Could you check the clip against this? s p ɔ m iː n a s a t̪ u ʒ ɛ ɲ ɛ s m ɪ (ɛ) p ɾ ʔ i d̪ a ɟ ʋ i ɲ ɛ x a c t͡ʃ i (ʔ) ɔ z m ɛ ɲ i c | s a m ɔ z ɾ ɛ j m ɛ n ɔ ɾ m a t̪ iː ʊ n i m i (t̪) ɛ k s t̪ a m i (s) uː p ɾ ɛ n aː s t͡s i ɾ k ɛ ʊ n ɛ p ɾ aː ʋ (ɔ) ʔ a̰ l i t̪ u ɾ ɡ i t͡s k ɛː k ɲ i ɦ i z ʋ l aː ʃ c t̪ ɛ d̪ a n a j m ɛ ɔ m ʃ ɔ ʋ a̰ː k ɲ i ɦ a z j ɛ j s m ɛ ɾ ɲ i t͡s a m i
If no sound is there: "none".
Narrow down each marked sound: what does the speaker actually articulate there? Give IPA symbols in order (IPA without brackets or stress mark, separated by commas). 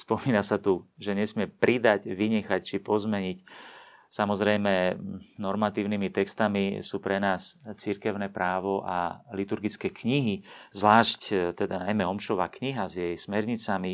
ɛ, p, t̪, s, ɔ